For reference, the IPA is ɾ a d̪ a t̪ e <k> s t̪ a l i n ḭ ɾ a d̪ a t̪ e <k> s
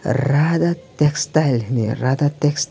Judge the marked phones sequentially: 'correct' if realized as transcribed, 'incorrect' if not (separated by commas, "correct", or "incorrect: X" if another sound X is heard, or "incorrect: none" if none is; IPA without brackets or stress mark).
correct, correct